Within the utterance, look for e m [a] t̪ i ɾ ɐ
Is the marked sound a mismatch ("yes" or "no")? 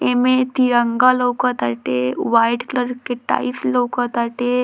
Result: yes